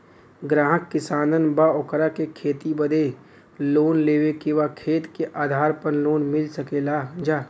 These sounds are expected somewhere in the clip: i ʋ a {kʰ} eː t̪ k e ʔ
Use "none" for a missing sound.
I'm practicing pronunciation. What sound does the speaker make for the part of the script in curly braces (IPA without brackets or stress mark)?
kʰ